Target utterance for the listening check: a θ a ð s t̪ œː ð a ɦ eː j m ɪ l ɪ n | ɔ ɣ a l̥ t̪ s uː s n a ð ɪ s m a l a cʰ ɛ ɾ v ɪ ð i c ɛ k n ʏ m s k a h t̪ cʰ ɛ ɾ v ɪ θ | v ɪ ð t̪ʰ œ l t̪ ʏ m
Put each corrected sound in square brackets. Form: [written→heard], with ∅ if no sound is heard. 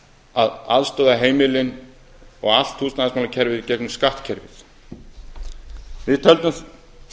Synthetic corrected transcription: a [θ→ð] a ð s t̪ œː ð a ɦ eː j m ɪ l ɪ n | ɔ ɣ a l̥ t̪ [s→h] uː s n a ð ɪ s m a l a cʰ ɛ ɾ v ɪ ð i c ɛ k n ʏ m s k a h t̪ cʰ ɛ ɾ v ɪ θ | v ɪ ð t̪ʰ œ l t̪ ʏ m